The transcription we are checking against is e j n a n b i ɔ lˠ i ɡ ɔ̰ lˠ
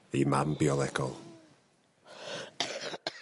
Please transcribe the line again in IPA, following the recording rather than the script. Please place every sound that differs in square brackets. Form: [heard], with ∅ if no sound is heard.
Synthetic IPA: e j [m] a [m] b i ɔ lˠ [ɛ] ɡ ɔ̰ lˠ